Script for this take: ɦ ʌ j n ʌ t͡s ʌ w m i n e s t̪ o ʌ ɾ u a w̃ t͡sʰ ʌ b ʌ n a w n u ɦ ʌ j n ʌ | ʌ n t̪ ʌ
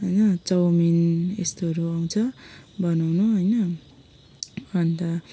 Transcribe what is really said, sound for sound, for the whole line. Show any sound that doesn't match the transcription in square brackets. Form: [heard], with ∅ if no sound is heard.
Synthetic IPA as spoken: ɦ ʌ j n ʌ t͡s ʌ w m i n e s t̪ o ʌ ɾ u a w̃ t͡sʰ ʌ b ʌ n a w n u ɦ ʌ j n ʌ | ʌ n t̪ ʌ